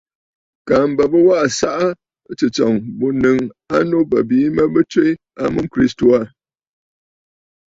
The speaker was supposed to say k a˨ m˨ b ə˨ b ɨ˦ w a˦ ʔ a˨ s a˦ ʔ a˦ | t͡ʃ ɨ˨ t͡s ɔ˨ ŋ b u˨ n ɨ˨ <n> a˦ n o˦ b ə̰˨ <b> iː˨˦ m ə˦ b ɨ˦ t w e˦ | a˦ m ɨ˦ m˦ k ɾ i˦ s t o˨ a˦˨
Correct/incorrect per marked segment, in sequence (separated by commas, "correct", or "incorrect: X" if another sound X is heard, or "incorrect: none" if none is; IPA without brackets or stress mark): incorrect: ŋ, correct